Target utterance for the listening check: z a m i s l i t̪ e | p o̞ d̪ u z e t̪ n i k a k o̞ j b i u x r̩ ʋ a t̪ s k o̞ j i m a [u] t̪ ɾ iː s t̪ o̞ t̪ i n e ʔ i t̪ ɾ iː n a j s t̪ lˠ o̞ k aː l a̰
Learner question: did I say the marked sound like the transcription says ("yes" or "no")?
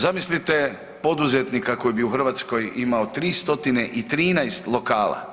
no